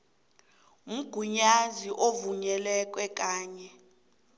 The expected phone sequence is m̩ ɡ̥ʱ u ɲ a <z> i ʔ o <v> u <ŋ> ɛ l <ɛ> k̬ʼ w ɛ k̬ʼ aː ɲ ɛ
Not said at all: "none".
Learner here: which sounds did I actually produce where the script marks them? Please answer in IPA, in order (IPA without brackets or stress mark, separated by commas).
z, v, ɲ, ɛ